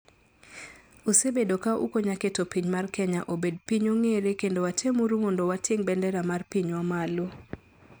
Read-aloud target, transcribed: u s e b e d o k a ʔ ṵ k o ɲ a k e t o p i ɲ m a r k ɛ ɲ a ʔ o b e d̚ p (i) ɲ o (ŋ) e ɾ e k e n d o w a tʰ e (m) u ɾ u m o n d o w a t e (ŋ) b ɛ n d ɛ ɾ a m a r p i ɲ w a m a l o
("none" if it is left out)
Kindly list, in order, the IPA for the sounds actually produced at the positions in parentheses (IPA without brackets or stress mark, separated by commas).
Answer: i, ŋ, m, ŋ